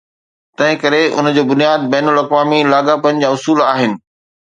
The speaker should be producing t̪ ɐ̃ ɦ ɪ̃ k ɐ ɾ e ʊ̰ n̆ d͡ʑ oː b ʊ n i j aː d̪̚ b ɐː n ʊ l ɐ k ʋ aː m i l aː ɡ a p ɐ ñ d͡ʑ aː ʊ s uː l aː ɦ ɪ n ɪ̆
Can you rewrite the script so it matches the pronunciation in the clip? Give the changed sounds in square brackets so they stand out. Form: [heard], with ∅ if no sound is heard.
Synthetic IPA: t̪ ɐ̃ ɦ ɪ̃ k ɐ ɾ e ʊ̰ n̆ d͡ʑ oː b ʊ n i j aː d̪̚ b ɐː n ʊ l ɐ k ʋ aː m i l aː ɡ a p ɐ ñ d͡ʑ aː ʊ s uː l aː ɦ ɪ n ɪ̆